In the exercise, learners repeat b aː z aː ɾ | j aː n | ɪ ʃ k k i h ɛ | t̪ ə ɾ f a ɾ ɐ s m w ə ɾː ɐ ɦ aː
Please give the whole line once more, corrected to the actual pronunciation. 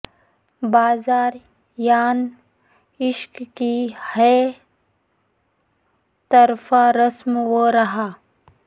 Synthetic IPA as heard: b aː z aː ɾ | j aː n | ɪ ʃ k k i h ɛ | t̪ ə ɾ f a ɾ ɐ s m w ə ɾ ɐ ɦ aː